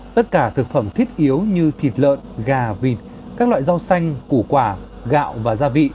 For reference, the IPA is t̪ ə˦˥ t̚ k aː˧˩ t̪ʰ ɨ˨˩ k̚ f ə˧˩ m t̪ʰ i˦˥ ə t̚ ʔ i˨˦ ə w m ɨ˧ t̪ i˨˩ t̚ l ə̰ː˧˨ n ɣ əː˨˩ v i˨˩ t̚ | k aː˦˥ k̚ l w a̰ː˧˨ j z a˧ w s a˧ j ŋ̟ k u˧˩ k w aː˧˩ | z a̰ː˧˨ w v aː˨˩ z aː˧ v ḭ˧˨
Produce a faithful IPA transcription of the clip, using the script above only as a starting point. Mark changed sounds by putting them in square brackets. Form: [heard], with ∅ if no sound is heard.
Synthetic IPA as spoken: t̪ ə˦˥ t̚ k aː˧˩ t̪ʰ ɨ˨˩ k̚ f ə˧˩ m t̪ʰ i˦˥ ə t̚ ʔ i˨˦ ə w [ɲ] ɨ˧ [t̪ʰ] i˨˩ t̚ l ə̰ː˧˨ n ɣ [aː˨˩] v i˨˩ t̚ | k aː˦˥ k̚ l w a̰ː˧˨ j z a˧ w s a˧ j ŋ̟ k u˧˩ k w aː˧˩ | [ɣ] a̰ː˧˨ w v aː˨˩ z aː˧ v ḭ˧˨